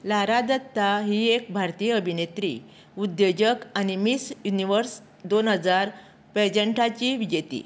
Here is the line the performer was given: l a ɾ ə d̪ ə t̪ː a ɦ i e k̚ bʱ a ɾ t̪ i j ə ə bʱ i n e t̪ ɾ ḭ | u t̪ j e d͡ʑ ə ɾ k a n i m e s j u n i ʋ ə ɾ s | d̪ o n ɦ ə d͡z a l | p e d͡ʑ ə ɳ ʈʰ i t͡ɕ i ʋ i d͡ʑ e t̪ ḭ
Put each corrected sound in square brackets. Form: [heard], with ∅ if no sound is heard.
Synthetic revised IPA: l a ɾ [a] d̪ ə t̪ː a ɦ i e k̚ bʱ a ɾ t̪ i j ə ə bʱ i n e t̪ ɾ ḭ | u [d̪] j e d͡ʑ ə [∅] k a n i m [i] s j u n i ʋ ə ɾ s | d̪ o n ɦ ə d͡z a [ɾ] | p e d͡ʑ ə ɳ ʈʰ [a] t͡ɕ i ʋ i d͡ʑ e t̪ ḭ